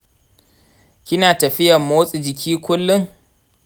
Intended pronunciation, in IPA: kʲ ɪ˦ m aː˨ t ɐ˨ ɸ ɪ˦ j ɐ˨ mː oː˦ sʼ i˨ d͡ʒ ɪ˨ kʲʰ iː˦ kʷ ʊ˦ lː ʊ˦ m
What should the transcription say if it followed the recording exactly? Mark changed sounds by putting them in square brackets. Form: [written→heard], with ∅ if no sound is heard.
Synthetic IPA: kʲ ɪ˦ [m→n] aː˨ t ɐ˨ ɸ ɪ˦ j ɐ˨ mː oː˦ sʼ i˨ d͡ʒ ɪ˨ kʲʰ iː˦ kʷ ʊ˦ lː ʊ˦ [m→ŋ]